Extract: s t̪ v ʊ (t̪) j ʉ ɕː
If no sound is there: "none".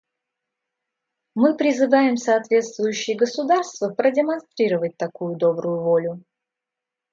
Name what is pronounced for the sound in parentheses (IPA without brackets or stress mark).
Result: none